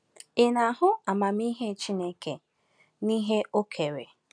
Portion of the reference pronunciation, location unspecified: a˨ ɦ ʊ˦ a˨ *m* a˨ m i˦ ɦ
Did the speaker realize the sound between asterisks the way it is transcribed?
yes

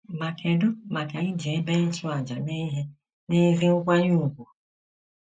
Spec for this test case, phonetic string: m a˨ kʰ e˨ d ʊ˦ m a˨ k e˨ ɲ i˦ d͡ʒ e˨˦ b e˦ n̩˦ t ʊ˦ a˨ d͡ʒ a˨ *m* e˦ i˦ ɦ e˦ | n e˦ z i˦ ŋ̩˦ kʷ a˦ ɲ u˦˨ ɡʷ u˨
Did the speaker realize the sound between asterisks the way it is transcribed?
no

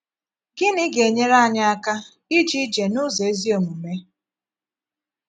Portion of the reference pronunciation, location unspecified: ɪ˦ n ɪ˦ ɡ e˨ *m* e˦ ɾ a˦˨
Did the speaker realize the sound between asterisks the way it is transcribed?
no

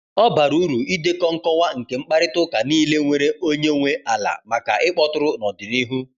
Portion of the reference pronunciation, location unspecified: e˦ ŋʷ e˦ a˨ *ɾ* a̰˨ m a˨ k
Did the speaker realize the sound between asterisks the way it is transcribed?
no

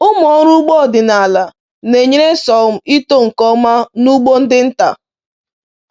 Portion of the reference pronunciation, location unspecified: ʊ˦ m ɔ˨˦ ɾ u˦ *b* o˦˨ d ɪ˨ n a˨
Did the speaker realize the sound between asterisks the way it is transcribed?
no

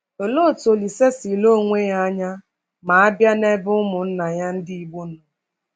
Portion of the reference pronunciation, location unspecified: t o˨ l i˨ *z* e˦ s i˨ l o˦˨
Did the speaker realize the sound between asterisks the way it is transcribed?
no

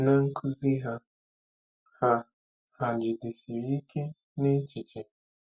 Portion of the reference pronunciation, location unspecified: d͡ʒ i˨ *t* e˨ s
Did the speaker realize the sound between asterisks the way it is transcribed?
no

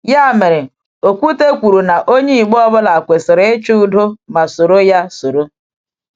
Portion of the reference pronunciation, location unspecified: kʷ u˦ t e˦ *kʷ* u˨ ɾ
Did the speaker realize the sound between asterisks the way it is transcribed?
yes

